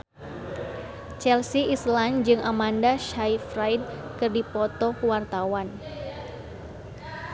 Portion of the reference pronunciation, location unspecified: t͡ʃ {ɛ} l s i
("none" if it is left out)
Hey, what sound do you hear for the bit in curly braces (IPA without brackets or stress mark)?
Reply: ɛ